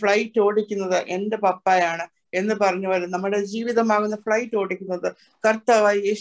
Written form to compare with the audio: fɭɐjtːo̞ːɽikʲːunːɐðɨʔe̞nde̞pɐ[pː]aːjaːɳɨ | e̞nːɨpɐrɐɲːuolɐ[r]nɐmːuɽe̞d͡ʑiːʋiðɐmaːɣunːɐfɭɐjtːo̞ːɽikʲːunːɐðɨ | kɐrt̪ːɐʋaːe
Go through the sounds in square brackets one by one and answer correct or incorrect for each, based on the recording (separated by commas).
correct, incorrect